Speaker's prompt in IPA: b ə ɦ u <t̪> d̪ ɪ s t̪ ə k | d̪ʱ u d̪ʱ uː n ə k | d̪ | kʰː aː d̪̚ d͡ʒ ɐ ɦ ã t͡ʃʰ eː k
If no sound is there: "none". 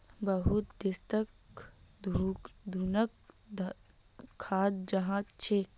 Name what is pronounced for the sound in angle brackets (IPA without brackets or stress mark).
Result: t̪